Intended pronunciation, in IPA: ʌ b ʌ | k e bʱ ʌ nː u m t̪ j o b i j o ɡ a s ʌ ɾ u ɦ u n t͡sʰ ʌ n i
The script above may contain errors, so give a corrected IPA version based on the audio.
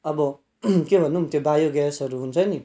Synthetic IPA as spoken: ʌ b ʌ | k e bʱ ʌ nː u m t̪ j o b a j o ɡ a s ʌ ɾ u ɦ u n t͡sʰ ʌ n i